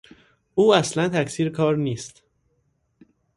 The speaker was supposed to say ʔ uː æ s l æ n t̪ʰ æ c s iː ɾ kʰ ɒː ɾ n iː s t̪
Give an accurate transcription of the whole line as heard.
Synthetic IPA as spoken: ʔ uː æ s l æ n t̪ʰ æ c s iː ɾ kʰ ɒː ɾ n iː s t̪

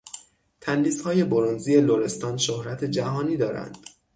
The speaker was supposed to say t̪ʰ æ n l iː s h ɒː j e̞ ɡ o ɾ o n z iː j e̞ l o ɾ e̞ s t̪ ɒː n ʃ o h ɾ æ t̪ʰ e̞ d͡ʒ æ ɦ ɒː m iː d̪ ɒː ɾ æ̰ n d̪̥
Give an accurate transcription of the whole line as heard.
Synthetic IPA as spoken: t̪ʰ æ n l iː s h ɒː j e̞ b o ɾ o n z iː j e̞ l o ɾ e̞ s t̪ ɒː n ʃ o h ɾ æ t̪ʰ e̞ d͡ʒ æ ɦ ɒː n iː d̪ ɒː ɾ æ̰ n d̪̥

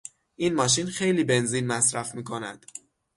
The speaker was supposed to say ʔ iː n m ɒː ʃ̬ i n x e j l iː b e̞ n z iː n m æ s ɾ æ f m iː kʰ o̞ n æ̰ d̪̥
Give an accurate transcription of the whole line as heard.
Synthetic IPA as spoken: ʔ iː n m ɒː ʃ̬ i n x e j l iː b e̞ n z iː n m æ s ɾ æ f m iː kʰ o̞ n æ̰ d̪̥

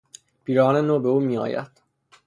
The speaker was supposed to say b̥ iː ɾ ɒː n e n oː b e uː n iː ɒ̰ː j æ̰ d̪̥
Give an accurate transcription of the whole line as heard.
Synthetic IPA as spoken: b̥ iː ɾ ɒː n e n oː b e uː m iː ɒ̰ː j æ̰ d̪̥

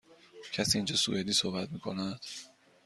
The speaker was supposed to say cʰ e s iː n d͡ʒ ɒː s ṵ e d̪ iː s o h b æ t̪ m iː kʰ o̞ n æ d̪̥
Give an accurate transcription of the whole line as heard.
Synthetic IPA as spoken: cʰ æ s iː n d͡ʒ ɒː s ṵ e d̪ iː s o h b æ t̪ m iː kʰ o̞ n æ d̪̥

